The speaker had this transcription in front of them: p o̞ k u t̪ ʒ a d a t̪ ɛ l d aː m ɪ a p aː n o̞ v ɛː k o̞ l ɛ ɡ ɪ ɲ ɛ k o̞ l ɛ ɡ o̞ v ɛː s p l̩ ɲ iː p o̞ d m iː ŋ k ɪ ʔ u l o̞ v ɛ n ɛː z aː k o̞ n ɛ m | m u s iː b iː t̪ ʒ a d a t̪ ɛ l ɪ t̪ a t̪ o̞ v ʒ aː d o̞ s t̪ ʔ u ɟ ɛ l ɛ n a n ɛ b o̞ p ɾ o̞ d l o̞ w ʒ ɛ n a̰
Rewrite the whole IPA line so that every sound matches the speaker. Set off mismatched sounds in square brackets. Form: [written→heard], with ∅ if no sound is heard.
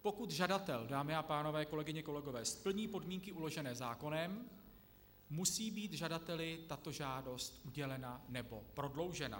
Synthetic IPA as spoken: p o̞ k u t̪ ʒ a d a t̪ ɛ l d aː m ɪ a p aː n o̞ v ɛː k o̞ l ɛ ɡ ɪ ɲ ɛ k o̞ l ɛ ɡ o̞ v ɛː s p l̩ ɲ iː p o̞ d m iː ŋ k ɪ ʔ u l o̞ [v→ʒ] ɛ n ɛː z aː k o̞ n ɛ m | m u s iː b iː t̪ ʒ a d a t̪ ɛ l ɪ t̪ a t̪ o̞ [v→∅] ʒ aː d o̞ s t̪ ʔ u ɟ ɛ l ɛ n a n ɛ b o̞ p ɾ o̞ d l o̞ w ʒ ɛ n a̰

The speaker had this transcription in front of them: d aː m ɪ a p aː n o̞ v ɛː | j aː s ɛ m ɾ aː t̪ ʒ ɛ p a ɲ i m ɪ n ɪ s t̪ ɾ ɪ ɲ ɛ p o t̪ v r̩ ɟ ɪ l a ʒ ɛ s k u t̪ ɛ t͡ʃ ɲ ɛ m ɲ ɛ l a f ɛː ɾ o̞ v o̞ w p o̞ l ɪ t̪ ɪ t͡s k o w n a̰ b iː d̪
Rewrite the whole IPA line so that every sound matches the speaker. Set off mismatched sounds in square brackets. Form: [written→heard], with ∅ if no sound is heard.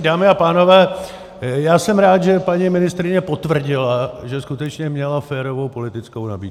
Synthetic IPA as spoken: d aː m ɪ a p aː n o̞ v ɛː | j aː s ɛ m ɾ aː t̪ ʒ ɛ p a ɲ i m ɪ n ɪ s t̪ ɾ ɪ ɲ ɛ p o t̪ v r̩ ɟ ɪ l a ʒ ɛ s k u t̪ ɛ t͡ʃ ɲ ɛ m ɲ ɛ l a f ɛː ɾ o̞ v o̞ w p o̞ l ɪ t̪ ɪ t͡s k o w n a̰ b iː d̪

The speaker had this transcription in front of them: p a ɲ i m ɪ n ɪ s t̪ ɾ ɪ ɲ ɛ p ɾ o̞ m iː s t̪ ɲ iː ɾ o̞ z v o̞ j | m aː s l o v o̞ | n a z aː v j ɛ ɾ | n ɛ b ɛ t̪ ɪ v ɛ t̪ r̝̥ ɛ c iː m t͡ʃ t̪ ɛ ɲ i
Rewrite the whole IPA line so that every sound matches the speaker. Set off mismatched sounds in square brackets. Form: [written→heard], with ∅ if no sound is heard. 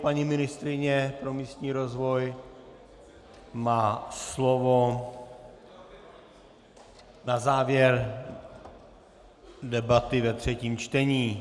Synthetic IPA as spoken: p a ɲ i m ɪ n ɪ s t̪ ɾ ɪ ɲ ɛ p ɾ o̞ m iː s t̪ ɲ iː ɾ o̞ z v o̞ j | m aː s l o v o̞ | n a z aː v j ɛ ɾ | [n→d] ɛ b [ɛ→a] t̪ ɪ v ɛ t̪ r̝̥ ɛ c iː m t͡ʃ t̪ ɛ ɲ [i→iː]

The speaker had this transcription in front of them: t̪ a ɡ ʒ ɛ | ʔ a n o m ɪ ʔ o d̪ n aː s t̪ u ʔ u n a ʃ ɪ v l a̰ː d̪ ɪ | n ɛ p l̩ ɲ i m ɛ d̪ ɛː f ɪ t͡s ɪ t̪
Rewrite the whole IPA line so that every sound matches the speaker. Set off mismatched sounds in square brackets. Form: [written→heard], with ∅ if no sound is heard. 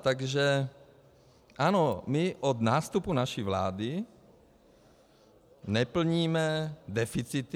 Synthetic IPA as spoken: t̪ a ɡ ʒ ɛ | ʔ a n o m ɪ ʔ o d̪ n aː s t̪ u [ʔ→p] u n a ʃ [ɪ→i] v l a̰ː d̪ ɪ | n ɛ p l̩ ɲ [i→iː] m ɛ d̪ [ɛː→ɛ] f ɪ t͡s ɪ t̪

